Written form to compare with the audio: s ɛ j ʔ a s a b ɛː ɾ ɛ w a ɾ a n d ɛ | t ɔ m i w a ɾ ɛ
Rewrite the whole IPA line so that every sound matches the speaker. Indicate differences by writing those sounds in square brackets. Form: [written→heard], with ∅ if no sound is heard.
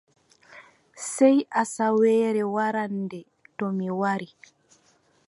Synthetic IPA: s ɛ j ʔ a s a [b→w] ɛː ɾ ɛ w a ɾ a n d ɛ | t ɔ m i w a ɾ [ɛ→i]